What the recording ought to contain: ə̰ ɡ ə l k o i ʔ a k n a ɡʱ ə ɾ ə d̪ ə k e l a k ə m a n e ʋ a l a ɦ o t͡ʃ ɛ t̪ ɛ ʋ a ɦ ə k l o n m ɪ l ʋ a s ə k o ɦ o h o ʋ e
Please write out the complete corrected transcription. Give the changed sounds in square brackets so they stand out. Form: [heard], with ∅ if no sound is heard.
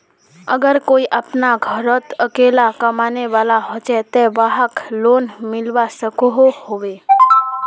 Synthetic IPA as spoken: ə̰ ɡ ə [ɾ] k o i ʔ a [p] n a ɡʱ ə ɾ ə [t̪] ə k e l a k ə m a n e ʋ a l a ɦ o t͡ʃ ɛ t̪ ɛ ʋ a ɦ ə k l o n m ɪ l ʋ a s ə k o ɦ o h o ʋ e